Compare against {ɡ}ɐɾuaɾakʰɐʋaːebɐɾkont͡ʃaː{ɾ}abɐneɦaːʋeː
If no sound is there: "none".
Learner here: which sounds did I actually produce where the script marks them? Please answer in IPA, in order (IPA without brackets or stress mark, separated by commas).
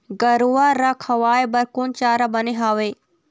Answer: ɡ, ɾ